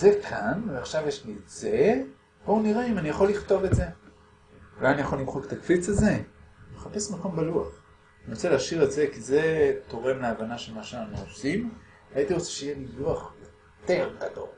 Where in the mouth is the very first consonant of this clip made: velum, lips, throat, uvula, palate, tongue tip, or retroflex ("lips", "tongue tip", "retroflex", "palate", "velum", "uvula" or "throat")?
tongue tip